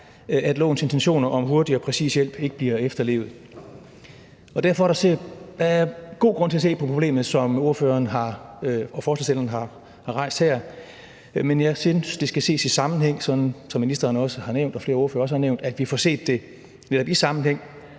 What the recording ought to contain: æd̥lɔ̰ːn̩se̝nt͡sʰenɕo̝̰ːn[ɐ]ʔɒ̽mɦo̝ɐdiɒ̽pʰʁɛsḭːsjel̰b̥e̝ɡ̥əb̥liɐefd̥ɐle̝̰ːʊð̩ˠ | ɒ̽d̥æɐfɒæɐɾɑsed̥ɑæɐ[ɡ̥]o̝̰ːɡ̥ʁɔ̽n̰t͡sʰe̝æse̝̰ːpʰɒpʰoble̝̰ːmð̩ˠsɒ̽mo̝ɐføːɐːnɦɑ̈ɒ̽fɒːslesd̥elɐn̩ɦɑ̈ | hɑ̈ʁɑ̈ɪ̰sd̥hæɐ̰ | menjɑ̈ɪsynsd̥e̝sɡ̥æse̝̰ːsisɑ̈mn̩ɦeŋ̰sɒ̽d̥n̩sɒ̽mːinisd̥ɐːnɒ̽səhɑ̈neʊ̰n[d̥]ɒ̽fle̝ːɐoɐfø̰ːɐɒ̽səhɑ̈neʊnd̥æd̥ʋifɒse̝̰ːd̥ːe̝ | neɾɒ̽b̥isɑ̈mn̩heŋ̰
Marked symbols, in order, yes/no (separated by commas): yes, yes, yes